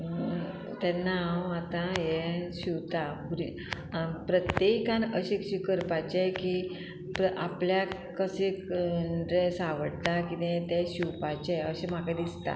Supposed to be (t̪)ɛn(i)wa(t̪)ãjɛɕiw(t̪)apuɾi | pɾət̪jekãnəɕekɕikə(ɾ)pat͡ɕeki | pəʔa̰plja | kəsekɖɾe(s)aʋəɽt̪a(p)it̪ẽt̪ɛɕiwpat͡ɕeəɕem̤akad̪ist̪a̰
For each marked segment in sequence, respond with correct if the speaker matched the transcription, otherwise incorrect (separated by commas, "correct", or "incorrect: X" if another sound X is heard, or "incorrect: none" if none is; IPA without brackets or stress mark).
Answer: correct, incorrect: a, correct, correct, correct, correct, incorrect: k